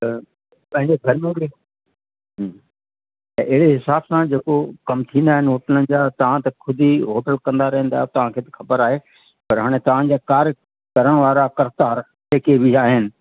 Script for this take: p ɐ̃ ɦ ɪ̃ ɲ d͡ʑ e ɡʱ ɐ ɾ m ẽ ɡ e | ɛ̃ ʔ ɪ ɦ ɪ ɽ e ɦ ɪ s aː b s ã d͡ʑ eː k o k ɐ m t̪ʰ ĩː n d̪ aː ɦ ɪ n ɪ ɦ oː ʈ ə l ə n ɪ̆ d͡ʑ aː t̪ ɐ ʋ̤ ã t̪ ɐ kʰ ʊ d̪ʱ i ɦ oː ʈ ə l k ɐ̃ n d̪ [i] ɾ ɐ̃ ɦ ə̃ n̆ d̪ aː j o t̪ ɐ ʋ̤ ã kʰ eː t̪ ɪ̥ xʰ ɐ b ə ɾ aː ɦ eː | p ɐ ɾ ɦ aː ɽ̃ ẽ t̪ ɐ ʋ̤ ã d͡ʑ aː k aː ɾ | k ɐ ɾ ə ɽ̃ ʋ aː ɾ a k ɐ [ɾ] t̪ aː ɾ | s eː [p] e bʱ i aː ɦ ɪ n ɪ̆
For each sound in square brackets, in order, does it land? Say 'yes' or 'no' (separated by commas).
no, yes, no